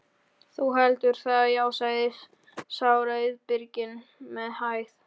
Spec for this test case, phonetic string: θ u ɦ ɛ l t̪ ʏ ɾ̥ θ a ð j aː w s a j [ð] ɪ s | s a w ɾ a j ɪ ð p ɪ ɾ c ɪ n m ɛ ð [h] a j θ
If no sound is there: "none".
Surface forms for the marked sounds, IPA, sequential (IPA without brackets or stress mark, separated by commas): ð, h